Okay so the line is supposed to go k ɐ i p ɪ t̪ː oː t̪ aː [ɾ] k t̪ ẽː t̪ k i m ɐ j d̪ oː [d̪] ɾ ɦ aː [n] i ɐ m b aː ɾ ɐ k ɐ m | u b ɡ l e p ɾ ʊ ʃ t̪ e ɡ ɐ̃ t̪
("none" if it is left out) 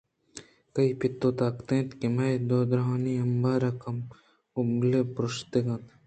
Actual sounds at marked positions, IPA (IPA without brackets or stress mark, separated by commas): none, d̪, n